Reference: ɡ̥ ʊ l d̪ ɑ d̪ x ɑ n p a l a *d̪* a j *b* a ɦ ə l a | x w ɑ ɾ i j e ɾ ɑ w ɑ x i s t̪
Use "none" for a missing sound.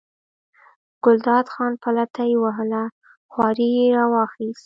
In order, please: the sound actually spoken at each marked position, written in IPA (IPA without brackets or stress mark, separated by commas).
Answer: t̪, w